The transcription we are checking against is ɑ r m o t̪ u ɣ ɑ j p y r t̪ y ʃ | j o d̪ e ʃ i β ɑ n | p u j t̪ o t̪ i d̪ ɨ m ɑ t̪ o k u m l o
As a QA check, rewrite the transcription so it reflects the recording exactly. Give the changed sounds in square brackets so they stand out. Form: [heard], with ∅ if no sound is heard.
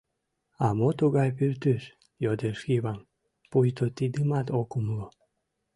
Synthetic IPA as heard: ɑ [∅] m o t̪ u ɣ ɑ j p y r t̪ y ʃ | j o d̪ e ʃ i β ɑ [m] | p u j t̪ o t̪ i d̪ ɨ m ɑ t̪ o k u m l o